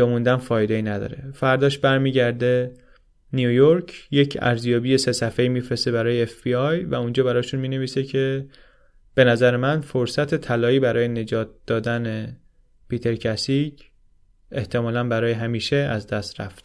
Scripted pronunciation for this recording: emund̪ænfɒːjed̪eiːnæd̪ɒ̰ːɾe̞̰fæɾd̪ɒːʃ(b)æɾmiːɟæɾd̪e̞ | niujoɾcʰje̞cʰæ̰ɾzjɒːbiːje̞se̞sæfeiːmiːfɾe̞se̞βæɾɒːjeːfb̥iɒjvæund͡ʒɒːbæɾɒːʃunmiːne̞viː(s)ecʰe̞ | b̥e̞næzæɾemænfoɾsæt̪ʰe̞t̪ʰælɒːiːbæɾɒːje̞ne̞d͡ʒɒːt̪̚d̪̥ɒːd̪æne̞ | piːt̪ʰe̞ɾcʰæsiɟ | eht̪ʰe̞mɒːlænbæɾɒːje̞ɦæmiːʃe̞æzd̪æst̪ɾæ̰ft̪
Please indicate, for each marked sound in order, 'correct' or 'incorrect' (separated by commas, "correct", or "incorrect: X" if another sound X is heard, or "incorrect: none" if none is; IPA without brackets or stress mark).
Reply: correct, correct